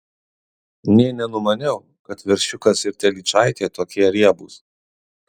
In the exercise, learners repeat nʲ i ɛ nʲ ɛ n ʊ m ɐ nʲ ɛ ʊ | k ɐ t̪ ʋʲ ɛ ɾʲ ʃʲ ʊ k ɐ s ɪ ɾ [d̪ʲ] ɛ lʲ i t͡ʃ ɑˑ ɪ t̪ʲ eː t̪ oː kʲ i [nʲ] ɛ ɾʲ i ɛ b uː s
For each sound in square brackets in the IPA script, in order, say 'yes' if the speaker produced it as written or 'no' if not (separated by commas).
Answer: no, no